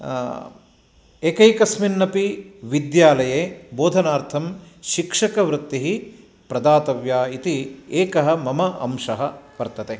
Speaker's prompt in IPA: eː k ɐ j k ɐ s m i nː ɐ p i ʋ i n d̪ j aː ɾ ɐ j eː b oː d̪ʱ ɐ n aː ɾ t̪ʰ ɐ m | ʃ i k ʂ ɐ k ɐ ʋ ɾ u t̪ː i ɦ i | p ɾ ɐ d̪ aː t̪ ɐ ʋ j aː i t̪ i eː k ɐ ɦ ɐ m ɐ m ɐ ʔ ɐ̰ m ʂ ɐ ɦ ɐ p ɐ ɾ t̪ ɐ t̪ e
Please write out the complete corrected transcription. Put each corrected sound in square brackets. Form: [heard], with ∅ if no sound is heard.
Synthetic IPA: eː k ɐ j k ɐ s m i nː ɐ p i ʋ i [∅] d̪ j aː [l] ɐ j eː b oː d̪ʱ ɐ n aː ɾ t̪ʰ ɐ m | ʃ i k ʂ ɐ k ɐ ʋ ɾ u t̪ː i ɦ i | p ɾ ɐ d̪ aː t̪ ɐ ʋ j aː i t̪ i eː k ɐ ɦ ɐ m ɐ m ɐ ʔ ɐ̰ m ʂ ɐ ɦ ɐ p ɐ ɾ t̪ ɐ t̪ e